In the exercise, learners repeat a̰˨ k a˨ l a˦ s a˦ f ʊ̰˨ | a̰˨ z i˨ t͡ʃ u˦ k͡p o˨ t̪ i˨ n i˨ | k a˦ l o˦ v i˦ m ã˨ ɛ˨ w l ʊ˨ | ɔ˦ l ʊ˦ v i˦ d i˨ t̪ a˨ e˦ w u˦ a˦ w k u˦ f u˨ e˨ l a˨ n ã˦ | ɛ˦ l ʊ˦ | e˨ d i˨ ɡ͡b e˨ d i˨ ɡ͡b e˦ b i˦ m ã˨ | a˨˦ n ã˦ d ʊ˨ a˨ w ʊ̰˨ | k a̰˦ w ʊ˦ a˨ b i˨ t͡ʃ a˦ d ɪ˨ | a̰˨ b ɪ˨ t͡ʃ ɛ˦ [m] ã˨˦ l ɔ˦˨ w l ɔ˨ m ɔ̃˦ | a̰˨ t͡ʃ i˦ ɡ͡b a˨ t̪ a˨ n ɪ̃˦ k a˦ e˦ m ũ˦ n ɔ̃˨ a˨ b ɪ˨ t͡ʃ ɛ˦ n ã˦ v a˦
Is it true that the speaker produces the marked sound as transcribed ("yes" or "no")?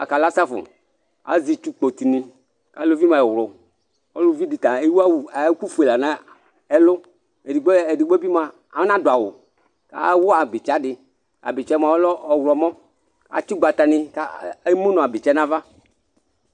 yes